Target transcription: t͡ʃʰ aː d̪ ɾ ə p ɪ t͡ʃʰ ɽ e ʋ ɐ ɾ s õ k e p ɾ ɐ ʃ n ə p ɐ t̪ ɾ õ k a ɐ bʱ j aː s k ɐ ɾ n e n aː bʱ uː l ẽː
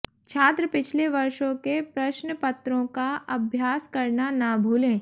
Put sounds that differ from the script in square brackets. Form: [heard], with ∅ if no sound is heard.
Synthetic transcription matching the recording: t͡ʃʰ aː [t̪] ɾ ə p ɪ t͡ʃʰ [l] e ʋ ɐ ɾ [ʃ] õ k e p ɾ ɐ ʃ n ə p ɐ t̪ ɾ õ k a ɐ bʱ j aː s k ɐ ɾ n [a] n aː bʱ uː l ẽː